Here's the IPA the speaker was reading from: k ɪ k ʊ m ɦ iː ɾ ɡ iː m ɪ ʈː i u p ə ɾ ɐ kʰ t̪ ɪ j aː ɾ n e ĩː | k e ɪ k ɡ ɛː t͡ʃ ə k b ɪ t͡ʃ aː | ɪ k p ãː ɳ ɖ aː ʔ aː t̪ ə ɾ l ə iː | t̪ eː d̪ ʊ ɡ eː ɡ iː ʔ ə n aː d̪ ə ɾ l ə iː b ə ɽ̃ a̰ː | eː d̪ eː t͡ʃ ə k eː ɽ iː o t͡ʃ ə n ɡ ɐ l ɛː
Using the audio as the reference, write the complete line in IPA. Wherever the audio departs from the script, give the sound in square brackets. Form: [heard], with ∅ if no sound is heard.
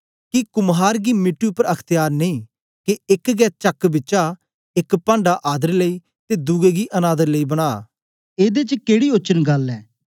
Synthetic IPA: k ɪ k ʊ m ɦ [aː] ɾ ɡ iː m ɪ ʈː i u p ə ɾ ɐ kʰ t̪ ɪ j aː ɾ n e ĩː | k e ɪ k ɡ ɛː t͡ʃ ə k b ɪ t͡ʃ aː | ɪ k p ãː ɳ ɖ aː ʔ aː [d̪] ə ɾ l ə iː | t̪ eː d̪ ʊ ɡ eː ɡ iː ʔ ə n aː d̪ ə ɾ l ə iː b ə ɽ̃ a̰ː | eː d̪ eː t͡ʃ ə k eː ɽ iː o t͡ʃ ə n ɡ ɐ l ɛː

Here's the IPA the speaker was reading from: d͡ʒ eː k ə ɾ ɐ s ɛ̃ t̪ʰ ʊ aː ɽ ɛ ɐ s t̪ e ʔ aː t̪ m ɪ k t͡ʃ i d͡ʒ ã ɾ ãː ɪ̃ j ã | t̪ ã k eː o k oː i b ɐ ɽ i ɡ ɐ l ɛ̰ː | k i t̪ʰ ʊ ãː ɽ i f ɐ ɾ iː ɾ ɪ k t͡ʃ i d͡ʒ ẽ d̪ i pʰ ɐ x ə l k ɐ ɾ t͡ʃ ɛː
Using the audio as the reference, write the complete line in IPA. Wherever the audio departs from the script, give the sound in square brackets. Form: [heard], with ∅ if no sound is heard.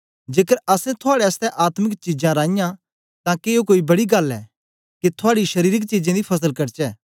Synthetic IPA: d͡ʒ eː k ə ɾ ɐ s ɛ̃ t̪ʰ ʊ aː ɽ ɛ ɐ s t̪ [ɛ] ʔ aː t̪ m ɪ k t͡ʃ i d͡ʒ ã ɾ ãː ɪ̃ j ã | t̪ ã k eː o k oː i b ɐ ɽ i ɡ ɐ l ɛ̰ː | k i t̪ʰ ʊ [aː] ɽ i [ʃ] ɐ ɾ iː ɾ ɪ k t͡ʃ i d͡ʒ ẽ d̪ i pʰ ɐ [s] ə l k ɐ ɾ t͡ʃ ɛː

